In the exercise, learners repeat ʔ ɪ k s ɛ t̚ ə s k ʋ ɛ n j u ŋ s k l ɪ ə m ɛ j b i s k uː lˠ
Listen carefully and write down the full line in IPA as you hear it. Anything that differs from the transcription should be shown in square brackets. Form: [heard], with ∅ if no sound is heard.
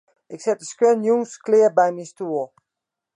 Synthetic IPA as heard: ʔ ɪ k s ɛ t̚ ə s k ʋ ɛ n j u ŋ s k l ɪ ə [b] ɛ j [m] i s [t] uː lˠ